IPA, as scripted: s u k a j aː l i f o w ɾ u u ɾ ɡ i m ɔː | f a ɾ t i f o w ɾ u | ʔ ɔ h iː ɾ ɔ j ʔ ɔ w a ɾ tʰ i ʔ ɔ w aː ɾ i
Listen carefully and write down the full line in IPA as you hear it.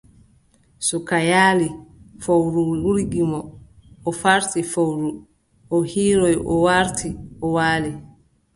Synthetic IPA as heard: s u k a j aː l i f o w ɾ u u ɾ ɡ i m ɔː | f a ɾ t i f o w ɾ u | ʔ ɔ h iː ɾ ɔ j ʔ ɔ w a ɾ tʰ i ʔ ɔ w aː l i